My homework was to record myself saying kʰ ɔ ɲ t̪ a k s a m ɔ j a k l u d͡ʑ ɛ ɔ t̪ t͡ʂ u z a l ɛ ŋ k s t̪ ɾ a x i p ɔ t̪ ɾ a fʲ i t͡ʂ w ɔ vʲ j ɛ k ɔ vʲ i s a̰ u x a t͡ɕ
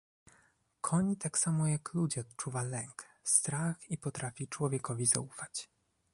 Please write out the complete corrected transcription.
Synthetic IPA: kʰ ɔ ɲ t̪ a k s a m ɔ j a k l u d͡ʑ ɛ ɔ t̪ t͡ʂ u v a l ɛ ŋ k s t̪ ɾ a x i p ɔ t̪ ɾ a fʲ i t͡ʂ w ɔ vʲ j ɛ k ɔ vʲ i z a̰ u f a t͡ɕ